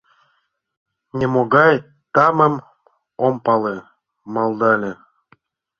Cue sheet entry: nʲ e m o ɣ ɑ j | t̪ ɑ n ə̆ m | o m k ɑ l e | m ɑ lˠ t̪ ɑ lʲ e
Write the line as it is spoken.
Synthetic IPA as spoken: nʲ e m o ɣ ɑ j | t̪ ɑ m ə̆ m | o m p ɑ l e | m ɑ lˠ d̪ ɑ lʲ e